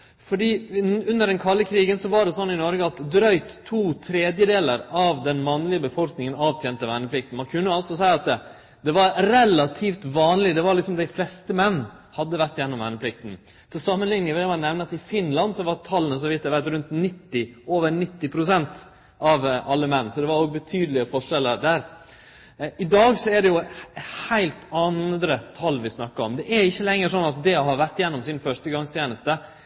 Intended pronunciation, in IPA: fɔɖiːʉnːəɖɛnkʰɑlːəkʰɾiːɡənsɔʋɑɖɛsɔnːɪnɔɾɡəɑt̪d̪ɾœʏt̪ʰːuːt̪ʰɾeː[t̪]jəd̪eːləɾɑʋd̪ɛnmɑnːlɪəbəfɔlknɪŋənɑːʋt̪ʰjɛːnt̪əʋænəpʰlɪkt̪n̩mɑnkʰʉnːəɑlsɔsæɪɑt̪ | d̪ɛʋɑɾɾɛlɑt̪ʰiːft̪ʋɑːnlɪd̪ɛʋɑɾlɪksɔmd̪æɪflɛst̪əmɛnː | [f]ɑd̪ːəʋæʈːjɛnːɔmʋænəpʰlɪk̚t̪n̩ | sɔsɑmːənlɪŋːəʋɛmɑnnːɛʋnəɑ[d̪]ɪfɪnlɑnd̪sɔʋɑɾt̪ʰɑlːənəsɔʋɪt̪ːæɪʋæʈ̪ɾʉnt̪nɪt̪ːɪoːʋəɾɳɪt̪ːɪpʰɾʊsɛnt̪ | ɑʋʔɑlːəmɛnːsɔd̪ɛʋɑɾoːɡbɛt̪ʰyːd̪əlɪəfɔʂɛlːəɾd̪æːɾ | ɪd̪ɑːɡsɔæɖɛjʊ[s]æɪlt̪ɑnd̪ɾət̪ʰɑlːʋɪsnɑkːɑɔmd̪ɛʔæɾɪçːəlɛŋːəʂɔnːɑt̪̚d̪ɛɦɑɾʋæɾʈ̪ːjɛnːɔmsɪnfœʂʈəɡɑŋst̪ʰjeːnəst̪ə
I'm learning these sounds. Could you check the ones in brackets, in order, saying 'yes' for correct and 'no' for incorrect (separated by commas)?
no, no, no, no